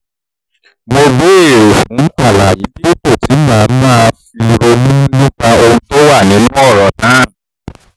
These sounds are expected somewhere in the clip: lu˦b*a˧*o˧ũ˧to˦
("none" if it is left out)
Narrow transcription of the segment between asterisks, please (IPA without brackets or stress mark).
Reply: a˧